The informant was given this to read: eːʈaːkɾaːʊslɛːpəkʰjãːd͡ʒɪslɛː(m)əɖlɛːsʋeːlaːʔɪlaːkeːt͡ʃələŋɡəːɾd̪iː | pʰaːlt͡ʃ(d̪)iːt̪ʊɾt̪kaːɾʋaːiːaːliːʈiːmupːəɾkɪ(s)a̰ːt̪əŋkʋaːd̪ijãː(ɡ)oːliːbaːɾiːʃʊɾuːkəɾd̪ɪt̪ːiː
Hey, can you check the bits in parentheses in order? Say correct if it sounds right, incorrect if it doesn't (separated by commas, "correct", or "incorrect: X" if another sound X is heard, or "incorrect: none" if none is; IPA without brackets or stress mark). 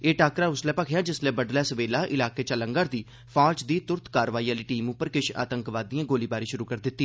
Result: incorrect: b, correct, incorrect: ʃ, correct